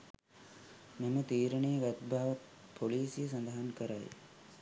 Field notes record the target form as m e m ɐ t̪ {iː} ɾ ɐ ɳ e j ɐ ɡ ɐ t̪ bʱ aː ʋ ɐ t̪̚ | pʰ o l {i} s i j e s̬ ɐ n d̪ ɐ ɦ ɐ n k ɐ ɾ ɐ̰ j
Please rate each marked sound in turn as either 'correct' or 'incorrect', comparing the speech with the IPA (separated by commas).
correct, incorrect